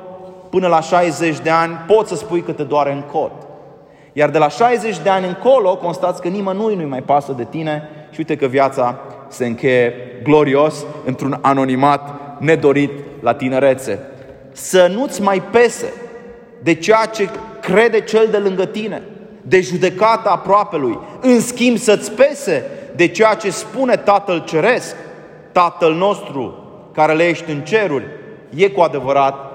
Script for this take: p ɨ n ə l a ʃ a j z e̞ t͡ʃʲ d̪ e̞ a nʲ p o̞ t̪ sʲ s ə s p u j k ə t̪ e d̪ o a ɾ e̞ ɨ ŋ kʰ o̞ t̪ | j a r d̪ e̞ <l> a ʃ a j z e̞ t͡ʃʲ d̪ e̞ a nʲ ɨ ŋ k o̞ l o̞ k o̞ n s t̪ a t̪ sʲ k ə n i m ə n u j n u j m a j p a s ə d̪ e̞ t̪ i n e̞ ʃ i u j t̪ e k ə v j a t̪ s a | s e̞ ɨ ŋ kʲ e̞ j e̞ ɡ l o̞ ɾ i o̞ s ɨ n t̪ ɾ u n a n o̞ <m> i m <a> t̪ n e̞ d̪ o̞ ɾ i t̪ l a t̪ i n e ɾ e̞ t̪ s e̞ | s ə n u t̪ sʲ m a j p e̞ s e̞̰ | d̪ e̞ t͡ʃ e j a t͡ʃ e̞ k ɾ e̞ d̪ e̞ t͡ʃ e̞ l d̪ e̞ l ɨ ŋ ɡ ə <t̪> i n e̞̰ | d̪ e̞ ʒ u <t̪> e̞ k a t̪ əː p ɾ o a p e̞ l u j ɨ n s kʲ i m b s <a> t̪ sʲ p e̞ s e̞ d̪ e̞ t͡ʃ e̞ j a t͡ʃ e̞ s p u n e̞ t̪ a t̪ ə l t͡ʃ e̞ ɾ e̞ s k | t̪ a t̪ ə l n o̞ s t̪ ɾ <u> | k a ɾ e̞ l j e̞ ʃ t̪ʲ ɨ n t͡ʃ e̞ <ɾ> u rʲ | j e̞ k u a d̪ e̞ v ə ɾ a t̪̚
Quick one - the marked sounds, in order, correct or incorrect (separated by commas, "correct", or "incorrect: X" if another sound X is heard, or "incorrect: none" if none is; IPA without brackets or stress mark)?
correct, incorrect: n, correct, correct, incorrect: d̪, incorrect: ə, correct, correct